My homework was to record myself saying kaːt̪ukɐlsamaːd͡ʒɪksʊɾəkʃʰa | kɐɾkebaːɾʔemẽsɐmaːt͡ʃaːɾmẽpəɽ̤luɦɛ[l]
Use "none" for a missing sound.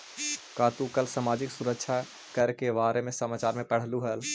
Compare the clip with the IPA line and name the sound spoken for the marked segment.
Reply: l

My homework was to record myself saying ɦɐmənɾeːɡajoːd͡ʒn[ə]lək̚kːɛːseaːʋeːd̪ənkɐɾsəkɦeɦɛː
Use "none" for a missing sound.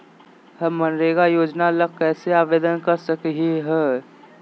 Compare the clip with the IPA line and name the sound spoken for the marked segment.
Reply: a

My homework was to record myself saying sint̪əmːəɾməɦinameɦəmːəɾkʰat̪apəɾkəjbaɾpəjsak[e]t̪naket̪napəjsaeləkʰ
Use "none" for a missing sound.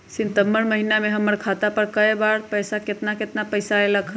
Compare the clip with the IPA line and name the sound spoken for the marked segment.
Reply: e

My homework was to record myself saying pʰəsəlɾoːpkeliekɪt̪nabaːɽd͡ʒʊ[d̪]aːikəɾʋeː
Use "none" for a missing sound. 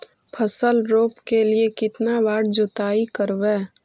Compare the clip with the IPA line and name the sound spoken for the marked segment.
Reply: t̪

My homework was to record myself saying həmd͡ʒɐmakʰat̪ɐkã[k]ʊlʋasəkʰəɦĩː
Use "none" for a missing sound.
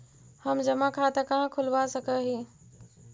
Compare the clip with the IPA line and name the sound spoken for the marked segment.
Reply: kʰ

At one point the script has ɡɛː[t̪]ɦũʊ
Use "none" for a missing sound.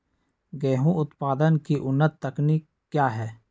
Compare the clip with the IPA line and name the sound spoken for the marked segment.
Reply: none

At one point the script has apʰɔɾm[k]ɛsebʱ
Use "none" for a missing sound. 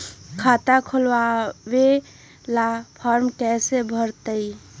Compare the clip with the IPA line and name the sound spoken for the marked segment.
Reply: k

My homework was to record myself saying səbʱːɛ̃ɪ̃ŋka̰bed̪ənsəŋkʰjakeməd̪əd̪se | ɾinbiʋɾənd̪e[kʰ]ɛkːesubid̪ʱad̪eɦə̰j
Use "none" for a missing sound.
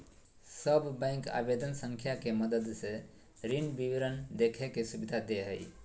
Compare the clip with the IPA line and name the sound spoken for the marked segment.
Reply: kʰ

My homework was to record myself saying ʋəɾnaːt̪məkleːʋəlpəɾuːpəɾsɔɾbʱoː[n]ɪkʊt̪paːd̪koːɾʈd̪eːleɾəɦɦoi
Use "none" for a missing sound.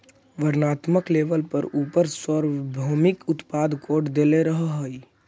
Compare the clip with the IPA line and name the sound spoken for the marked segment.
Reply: m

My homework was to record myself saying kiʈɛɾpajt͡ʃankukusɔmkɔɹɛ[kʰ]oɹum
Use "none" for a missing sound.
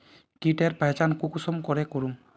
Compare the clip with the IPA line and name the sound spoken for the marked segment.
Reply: k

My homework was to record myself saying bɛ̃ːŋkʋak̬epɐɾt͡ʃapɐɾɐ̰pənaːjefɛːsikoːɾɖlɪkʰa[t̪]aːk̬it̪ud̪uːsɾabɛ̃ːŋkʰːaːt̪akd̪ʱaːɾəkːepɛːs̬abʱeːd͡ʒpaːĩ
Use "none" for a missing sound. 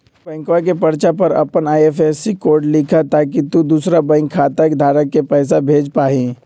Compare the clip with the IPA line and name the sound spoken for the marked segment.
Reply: t̪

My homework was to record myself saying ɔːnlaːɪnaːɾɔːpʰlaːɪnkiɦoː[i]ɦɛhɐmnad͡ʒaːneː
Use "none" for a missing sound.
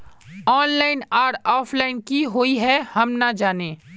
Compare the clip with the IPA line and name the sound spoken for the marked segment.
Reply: i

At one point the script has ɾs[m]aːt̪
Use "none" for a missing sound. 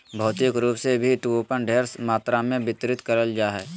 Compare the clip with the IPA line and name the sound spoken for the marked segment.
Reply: m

